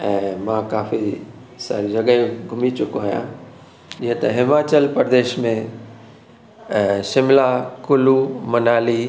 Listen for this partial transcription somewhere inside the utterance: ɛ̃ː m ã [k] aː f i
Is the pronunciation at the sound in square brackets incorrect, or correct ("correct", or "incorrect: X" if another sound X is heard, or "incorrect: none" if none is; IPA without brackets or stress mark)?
correct